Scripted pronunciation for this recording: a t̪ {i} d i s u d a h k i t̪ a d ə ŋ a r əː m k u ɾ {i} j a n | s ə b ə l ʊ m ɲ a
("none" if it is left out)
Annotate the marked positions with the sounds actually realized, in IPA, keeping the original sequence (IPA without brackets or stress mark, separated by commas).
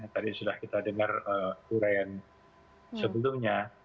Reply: a, a